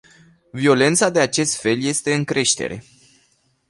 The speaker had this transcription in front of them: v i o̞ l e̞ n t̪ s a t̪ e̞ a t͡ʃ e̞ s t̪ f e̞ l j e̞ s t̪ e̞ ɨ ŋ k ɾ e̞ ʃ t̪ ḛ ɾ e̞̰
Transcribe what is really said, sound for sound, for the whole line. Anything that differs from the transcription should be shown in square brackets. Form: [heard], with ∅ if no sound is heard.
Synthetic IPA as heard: v i o̞ l e̞ n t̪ s a [d̪] e̞ a t͡ʃ e̞ s t̪ f e̞ l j e̞ s t̪ e̞ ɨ ŋ k ɾ e̞ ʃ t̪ ḛ ɾ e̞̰